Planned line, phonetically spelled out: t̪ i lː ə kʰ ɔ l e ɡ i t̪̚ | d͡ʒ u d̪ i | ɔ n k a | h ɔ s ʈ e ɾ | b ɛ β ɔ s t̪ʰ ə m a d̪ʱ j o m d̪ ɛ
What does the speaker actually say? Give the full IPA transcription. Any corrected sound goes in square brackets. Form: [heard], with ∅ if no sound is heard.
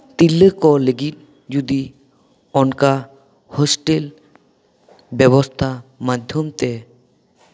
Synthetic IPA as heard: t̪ i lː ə [k] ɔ l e ɡ i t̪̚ | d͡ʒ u d̪ i | ɔ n k a | h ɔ s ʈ e [l] | b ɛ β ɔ s t̪ʰ [a] m a d̪ʱ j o m [t̪] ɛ